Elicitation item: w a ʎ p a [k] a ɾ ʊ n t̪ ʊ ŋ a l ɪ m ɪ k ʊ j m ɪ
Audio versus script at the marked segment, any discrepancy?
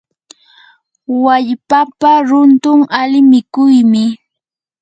yes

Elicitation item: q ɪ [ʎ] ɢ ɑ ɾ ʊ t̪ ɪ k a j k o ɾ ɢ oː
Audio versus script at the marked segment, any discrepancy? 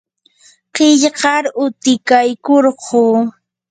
no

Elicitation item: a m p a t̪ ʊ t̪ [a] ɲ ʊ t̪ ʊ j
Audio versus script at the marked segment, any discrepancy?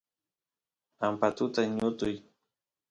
no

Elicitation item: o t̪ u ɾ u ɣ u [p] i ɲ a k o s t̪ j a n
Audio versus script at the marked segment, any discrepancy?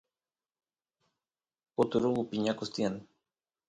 no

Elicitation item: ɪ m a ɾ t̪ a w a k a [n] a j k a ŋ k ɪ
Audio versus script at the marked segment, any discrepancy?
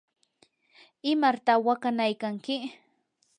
no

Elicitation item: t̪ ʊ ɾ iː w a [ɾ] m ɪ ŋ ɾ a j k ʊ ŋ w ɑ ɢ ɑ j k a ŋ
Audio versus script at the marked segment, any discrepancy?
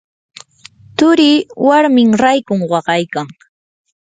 no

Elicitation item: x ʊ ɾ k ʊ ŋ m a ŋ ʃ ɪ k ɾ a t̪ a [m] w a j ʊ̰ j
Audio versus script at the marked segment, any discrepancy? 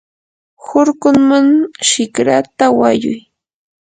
yes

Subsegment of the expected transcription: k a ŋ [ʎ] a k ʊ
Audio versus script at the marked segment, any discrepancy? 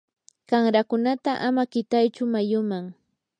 yes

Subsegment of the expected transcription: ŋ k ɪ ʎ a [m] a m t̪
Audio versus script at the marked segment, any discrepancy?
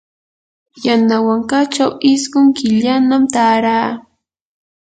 yes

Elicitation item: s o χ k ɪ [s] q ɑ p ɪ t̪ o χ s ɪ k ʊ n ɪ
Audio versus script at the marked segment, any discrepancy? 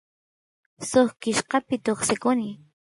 yes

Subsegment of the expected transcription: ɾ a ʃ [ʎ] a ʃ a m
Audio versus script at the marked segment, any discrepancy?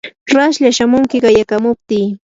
no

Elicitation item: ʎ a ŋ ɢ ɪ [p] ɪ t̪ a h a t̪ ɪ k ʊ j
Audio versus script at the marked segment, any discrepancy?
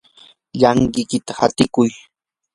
yes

